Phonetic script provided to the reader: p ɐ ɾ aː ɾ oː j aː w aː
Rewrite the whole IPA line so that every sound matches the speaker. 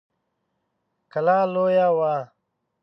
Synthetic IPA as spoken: k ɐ l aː l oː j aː w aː

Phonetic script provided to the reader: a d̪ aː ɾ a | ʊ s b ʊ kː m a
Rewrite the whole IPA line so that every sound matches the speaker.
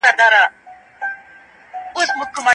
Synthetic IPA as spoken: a d̪ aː ɾ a | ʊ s m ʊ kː m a

